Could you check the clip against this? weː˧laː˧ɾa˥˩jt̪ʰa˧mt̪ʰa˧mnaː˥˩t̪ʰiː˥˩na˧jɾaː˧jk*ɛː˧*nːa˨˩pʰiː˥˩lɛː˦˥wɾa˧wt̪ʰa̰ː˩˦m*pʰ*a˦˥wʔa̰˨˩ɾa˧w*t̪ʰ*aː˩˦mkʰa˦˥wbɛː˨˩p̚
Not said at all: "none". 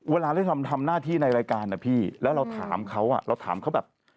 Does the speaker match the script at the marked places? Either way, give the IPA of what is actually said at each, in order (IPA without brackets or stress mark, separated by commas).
aː˧, kʰ, t̪ʰ